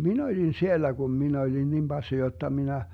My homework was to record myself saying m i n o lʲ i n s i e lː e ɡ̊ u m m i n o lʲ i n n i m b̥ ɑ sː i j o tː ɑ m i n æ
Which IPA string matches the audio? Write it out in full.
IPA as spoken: m i n o lʲ i n s i e lː æ ɡ̊ u m m i n o lʲ i n n i m b̥ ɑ sː i j o tː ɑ m i n æ